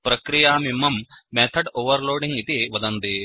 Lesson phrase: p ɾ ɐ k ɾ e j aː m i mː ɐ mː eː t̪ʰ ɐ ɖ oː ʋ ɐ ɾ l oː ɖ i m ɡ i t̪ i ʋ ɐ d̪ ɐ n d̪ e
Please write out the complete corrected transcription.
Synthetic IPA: p ɾ ɐ k ɾ i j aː m i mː ɐ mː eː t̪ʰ ɐ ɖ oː ʋ ɐ ɾ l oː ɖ i ŋ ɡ i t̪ i ʋ ɐ d̪ ɐ n d̪ i